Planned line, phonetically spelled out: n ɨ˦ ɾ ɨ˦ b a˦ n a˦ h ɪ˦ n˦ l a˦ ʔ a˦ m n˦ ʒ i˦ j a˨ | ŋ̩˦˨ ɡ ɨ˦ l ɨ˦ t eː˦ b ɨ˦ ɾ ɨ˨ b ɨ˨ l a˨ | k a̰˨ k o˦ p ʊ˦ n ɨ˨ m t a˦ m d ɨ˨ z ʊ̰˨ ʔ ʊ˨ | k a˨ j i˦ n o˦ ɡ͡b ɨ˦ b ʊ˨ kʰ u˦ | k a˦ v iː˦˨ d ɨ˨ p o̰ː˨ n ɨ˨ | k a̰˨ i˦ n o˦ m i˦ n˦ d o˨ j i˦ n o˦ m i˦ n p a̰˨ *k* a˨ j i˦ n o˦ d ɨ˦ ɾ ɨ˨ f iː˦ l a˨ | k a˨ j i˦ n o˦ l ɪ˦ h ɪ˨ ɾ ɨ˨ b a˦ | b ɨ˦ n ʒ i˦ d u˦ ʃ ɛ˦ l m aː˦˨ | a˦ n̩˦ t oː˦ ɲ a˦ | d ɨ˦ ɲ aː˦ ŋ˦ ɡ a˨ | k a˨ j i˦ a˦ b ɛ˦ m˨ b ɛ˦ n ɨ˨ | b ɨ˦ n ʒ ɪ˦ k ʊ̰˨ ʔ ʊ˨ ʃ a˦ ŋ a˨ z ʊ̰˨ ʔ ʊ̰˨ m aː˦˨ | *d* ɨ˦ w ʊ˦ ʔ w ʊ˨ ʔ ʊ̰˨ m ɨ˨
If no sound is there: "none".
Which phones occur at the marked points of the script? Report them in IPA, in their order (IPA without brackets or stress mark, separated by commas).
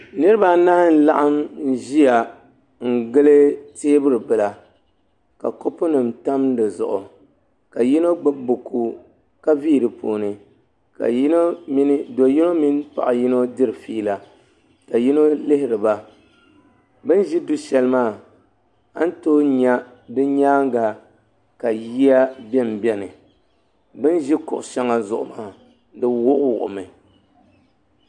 ʔ, d